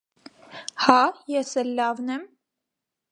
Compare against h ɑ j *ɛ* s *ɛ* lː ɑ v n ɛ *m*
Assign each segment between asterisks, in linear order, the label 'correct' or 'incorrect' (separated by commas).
correct, correct, correct